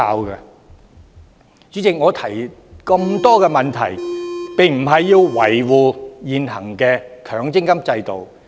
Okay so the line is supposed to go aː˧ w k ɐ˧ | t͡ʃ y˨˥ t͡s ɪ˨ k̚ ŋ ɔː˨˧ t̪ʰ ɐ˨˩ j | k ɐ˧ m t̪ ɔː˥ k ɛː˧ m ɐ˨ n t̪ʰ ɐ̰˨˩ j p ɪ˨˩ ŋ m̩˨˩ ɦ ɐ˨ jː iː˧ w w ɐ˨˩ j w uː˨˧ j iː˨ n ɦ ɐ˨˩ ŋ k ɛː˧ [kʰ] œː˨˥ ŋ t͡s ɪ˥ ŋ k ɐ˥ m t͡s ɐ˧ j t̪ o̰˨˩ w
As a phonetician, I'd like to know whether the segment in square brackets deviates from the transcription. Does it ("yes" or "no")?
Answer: no